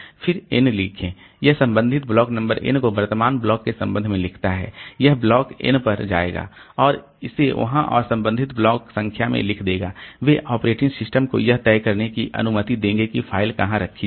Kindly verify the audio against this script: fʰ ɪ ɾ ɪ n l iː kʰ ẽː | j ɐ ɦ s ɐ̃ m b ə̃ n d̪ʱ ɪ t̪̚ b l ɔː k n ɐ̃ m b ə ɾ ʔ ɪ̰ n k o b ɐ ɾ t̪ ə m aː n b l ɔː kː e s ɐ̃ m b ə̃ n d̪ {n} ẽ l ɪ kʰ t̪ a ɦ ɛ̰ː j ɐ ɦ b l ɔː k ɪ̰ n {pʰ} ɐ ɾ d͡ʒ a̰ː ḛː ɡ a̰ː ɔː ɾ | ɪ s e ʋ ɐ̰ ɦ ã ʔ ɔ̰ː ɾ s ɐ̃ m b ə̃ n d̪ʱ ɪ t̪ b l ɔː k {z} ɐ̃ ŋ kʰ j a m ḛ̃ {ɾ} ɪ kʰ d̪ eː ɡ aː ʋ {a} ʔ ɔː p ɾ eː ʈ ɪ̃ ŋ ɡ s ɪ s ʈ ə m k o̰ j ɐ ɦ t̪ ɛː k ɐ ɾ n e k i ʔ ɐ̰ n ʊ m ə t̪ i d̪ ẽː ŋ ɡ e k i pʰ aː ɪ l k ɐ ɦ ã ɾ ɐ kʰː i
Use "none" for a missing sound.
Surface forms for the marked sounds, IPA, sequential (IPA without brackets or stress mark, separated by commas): m, p, s, l, e